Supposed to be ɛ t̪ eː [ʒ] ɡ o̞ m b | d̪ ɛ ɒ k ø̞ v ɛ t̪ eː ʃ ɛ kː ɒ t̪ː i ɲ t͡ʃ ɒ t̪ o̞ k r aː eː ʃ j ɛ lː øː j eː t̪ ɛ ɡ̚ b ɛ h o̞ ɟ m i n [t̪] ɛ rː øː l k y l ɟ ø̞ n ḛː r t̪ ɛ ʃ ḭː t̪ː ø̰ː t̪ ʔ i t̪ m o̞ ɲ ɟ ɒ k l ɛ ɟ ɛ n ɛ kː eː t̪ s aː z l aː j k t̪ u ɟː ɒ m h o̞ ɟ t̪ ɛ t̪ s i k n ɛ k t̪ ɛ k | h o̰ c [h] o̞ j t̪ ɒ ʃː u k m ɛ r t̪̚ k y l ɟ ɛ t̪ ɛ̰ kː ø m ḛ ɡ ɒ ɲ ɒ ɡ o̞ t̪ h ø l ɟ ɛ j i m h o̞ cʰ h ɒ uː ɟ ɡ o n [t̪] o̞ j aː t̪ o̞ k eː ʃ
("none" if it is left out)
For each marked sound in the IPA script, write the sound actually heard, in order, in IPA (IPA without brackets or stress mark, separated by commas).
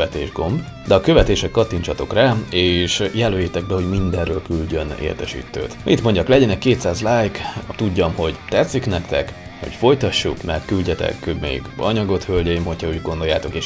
ʒ, d̪, f, d̪